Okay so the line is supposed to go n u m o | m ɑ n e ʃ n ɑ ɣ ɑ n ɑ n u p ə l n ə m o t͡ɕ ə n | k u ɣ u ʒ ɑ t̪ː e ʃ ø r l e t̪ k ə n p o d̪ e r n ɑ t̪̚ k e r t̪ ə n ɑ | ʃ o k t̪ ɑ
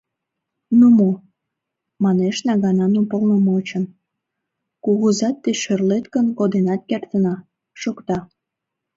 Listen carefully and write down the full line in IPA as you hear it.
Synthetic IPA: n u m o | m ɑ n e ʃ n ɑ ɣ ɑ n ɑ n u p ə l n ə m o t͡ɕ ə n | k u ɣ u z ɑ t̪ː e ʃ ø r l e t̪ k ə n k o d̪ e n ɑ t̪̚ k e r t̪ ə n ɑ | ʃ o k t̪ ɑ